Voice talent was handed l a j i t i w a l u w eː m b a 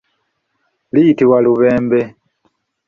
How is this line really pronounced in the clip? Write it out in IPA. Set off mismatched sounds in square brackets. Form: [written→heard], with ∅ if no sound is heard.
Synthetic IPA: l [a→i] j i t i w a l u [w→β] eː m b [a→e]